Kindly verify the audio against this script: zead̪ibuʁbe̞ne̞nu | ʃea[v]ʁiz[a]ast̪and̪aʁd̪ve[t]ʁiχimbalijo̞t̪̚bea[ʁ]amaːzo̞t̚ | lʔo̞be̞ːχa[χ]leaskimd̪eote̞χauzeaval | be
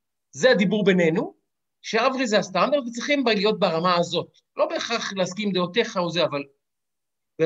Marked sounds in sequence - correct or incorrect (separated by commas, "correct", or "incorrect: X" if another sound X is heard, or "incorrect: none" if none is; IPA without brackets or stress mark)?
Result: correct, incorrect: e, incorrect: t͡s, correct, correct